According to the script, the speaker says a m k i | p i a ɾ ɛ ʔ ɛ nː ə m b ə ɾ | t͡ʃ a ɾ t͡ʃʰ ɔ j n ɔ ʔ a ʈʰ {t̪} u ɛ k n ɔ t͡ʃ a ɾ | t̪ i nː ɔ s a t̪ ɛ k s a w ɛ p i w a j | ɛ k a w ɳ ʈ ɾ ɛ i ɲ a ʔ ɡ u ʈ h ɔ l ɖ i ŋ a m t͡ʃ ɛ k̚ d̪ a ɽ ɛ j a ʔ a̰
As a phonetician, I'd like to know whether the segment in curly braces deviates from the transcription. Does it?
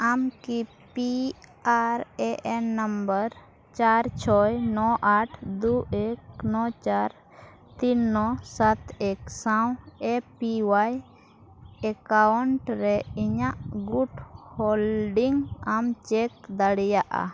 yes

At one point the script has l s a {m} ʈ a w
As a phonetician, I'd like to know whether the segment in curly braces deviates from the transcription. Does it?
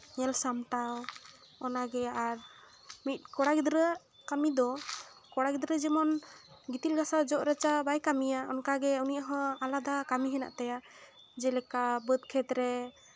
no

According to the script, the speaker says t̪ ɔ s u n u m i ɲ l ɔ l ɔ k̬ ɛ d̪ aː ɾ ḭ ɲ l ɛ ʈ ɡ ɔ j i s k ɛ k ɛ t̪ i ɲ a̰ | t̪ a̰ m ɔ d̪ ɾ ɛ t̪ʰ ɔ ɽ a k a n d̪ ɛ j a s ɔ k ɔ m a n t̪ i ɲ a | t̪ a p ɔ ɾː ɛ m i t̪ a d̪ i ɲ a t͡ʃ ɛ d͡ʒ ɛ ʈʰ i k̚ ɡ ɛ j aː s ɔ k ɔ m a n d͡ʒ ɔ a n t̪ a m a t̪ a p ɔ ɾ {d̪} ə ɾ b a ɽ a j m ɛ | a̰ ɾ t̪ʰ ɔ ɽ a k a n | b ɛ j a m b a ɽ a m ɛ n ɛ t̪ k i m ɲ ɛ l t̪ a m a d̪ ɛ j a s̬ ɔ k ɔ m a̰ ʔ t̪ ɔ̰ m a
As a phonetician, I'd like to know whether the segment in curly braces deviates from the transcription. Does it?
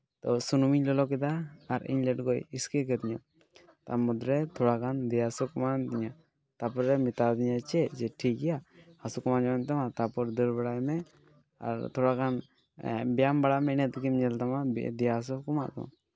no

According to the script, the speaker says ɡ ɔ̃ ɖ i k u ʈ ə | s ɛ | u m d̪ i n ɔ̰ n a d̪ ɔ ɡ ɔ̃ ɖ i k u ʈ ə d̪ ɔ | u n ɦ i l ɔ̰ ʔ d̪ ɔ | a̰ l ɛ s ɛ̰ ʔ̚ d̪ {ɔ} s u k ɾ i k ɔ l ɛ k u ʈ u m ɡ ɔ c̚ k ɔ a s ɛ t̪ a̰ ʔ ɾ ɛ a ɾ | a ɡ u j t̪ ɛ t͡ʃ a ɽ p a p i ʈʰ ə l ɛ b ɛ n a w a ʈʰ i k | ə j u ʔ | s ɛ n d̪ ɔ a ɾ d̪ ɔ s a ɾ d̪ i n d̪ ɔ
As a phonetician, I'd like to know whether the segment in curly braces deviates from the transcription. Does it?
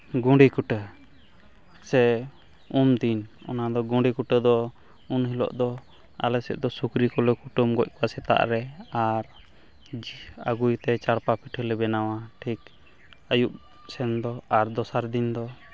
no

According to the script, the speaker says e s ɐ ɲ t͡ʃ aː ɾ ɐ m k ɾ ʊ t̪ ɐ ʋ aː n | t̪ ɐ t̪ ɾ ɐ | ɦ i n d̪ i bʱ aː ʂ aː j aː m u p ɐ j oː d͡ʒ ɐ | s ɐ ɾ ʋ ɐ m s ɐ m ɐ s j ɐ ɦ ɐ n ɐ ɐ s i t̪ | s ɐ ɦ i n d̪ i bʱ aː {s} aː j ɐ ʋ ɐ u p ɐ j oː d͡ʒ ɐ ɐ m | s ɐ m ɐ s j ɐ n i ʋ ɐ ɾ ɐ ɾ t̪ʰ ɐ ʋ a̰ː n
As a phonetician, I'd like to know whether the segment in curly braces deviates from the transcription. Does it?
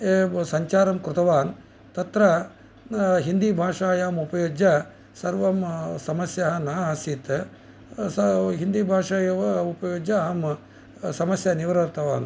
yes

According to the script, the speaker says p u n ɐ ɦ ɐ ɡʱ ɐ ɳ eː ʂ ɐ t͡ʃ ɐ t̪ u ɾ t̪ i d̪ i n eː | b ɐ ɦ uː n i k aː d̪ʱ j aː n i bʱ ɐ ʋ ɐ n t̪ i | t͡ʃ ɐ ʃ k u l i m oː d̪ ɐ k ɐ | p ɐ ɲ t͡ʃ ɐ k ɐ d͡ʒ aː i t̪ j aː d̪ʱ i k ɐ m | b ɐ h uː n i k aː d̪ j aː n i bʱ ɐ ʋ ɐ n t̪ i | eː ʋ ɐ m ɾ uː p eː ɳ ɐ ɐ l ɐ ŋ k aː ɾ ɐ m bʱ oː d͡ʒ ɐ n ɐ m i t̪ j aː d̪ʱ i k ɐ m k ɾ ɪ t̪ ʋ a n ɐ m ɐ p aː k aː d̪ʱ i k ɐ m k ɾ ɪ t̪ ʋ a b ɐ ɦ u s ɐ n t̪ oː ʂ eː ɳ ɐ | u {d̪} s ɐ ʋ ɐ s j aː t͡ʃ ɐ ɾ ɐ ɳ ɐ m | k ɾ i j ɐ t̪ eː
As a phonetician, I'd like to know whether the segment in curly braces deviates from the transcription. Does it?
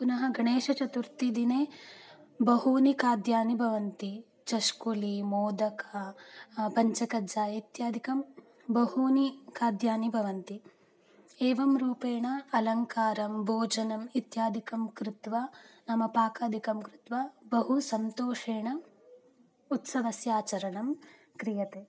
yes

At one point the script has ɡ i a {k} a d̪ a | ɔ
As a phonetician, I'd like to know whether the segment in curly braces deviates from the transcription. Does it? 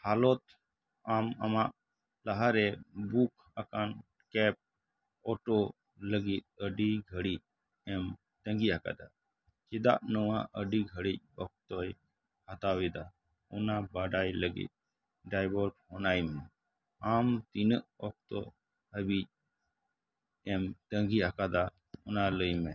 no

